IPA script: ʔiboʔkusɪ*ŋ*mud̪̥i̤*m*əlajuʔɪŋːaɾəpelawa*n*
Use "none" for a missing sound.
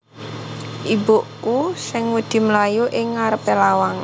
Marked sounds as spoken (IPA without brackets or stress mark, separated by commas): ŋ, m, ŋ